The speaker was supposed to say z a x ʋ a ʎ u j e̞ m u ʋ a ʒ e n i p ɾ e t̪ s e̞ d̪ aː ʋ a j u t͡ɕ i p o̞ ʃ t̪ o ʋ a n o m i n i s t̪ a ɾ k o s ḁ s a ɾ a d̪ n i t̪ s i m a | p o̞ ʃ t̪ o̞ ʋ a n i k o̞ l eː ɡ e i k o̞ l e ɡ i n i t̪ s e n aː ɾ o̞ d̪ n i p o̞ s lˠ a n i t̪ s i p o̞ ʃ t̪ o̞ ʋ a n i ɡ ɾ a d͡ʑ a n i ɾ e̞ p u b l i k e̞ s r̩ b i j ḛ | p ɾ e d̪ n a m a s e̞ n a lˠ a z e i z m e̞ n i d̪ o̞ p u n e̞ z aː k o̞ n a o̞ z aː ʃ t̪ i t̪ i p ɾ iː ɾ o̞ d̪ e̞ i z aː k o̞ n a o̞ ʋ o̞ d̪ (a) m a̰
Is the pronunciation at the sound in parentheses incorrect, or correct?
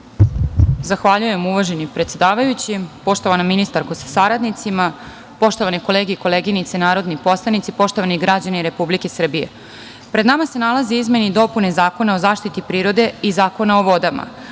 correct